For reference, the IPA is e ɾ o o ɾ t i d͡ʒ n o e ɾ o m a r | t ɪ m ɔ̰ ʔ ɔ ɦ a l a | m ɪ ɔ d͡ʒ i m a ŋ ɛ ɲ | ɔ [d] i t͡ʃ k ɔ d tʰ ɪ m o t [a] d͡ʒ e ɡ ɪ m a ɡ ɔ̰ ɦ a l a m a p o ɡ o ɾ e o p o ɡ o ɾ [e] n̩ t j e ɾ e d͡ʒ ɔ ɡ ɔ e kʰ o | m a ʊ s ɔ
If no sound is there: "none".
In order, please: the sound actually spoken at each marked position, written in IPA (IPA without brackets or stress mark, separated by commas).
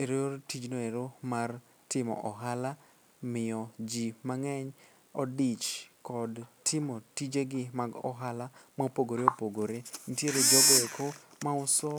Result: d, i, e